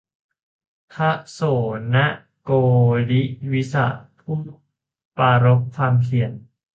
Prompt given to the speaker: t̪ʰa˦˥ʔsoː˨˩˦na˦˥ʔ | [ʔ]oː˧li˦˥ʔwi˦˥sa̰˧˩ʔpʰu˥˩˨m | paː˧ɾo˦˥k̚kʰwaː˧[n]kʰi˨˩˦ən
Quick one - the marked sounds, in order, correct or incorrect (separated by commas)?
incorrect, incorrect